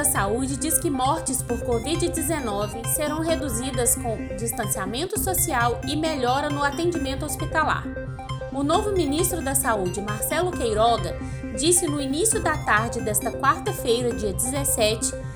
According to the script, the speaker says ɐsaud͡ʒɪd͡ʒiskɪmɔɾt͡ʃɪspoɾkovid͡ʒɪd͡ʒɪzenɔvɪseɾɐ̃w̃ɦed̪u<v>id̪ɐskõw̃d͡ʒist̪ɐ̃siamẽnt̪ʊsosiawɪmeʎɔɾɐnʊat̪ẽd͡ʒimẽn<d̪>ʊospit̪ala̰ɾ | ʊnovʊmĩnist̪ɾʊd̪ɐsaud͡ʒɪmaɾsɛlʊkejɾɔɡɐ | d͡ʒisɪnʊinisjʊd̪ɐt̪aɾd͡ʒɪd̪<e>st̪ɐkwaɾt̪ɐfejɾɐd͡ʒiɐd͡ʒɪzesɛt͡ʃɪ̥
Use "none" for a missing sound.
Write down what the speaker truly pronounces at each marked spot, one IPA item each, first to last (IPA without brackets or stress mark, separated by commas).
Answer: z, t̪, ɛ